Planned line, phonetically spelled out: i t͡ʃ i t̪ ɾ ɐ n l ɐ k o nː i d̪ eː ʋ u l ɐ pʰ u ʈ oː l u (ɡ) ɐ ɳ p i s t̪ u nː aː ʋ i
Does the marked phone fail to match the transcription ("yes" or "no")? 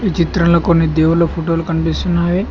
yes